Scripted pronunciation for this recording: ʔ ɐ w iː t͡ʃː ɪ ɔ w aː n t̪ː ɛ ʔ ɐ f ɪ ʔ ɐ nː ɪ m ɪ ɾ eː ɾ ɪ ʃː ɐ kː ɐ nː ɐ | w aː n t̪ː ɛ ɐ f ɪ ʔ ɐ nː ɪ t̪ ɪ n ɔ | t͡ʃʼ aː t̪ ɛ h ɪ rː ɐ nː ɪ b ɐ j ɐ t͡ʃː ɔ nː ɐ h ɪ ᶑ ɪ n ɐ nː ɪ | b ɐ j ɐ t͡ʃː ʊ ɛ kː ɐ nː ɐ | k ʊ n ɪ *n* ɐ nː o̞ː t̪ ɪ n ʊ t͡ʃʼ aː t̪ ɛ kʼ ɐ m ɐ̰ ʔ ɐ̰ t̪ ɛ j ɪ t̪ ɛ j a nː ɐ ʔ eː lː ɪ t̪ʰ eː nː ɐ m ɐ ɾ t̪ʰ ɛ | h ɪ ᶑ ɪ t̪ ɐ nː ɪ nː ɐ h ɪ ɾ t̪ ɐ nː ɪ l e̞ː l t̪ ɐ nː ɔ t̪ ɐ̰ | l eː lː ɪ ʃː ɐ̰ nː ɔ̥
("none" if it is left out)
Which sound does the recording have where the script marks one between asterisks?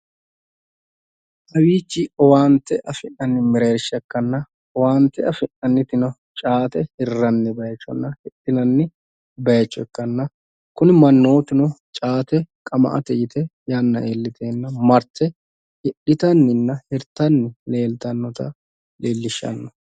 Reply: m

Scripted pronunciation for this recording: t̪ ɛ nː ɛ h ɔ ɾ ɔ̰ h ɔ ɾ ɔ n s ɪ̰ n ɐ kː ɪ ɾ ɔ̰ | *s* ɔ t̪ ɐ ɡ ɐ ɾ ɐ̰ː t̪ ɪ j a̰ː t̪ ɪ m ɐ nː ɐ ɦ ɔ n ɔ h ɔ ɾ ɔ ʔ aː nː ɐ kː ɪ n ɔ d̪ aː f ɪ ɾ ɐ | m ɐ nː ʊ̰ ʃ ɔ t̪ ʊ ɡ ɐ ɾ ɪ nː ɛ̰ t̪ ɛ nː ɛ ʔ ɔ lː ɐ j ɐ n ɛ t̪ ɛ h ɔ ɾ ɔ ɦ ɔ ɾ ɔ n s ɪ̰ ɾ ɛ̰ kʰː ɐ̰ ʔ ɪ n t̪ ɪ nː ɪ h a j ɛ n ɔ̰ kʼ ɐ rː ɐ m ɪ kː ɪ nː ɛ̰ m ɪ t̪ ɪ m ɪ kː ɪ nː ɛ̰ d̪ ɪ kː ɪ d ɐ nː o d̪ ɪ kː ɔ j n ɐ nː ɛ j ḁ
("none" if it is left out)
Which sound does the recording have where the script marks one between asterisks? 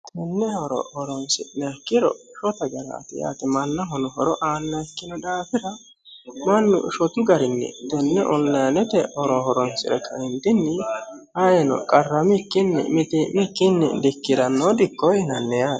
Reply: ʃ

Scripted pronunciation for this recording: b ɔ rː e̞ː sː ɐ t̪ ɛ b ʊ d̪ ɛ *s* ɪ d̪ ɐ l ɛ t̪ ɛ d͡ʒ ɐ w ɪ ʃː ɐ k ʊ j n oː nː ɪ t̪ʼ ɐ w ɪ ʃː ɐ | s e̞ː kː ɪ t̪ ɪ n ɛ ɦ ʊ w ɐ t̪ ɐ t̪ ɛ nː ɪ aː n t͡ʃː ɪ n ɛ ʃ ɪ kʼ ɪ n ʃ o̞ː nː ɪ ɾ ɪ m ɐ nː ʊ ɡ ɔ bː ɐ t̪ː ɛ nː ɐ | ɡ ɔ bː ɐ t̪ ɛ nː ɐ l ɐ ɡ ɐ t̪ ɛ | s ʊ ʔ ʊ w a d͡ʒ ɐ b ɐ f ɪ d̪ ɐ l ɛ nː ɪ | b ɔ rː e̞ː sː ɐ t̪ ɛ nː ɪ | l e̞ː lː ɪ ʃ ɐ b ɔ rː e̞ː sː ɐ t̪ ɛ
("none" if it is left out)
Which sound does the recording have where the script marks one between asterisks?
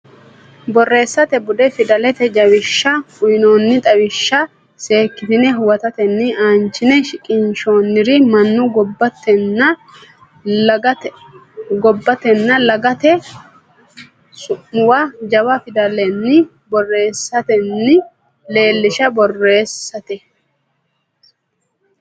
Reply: f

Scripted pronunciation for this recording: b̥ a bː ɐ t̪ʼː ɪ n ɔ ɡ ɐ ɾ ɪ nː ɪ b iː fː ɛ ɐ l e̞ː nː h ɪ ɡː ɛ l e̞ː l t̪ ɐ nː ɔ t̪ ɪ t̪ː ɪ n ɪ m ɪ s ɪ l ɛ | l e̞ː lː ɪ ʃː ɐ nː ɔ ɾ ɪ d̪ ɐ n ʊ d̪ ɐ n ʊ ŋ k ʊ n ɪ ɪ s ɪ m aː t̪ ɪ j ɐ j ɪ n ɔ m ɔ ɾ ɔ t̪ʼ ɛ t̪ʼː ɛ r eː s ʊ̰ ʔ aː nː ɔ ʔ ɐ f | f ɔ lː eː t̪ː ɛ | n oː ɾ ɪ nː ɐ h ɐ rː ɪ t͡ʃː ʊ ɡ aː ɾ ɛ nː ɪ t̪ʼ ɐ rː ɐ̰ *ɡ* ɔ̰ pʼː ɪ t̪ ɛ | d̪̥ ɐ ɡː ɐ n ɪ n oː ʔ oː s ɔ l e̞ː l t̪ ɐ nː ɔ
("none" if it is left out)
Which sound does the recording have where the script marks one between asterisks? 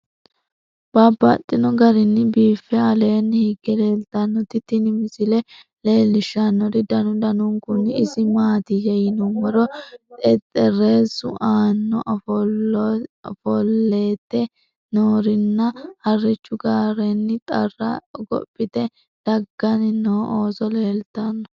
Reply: ɡ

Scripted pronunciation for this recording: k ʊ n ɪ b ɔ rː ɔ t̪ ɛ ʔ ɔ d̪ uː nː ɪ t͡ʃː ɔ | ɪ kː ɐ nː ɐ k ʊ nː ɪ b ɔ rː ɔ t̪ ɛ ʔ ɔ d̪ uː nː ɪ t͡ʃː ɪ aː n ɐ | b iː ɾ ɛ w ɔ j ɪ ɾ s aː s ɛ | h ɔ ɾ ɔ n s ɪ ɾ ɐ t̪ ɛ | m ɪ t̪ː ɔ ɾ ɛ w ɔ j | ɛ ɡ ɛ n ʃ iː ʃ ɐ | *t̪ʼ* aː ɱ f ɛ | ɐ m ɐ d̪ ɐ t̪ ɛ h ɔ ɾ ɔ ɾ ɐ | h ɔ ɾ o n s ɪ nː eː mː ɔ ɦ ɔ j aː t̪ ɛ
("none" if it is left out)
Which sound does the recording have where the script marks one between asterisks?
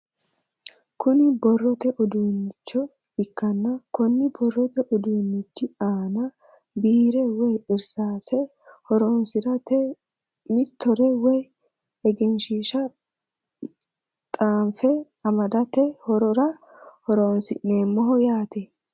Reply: t̪ʼ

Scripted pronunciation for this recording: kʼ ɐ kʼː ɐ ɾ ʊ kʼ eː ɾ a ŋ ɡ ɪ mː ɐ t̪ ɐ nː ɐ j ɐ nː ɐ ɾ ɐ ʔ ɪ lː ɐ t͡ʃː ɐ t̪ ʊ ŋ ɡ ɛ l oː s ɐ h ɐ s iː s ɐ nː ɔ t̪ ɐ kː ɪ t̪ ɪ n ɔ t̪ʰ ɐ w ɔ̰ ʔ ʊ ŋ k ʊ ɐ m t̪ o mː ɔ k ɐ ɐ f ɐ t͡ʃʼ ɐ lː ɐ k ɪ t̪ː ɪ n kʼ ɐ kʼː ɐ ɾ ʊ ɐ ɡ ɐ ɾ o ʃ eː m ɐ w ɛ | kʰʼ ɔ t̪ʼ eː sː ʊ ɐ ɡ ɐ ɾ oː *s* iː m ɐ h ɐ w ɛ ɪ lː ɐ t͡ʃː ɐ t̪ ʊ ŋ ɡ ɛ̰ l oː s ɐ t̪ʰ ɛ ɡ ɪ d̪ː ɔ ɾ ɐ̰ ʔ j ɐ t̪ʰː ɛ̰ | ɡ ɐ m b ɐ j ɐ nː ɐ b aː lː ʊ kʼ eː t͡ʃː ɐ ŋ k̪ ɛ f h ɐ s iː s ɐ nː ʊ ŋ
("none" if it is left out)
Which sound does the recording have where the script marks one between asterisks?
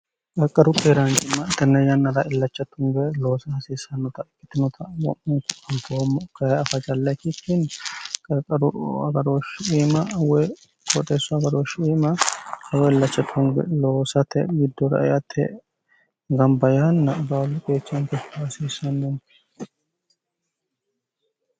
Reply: ʃ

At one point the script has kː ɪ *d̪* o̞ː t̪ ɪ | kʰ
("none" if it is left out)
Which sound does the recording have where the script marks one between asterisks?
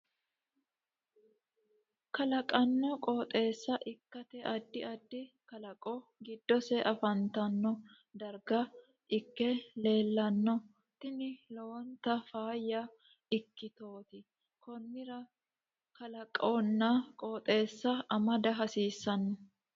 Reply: t̪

